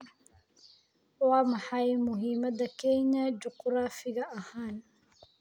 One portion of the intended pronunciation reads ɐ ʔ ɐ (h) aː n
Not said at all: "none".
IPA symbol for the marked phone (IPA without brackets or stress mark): h